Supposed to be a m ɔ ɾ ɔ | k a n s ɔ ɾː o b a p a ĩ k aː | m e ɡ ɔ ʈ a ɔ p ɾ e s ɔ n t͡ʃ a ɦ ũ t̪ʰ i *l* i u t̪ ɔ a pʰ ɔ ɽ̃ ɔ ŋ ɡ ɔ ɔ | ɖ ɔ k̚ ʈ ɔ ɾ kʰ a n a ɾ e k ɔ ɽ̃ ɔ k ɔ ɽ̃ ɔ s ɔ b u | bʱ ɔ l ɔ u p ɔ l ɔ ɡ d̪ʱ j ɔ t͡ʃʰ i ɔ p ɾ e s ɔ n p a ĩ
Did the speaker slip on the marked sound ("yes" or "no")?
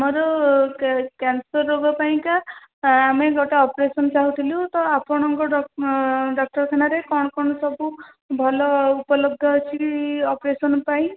no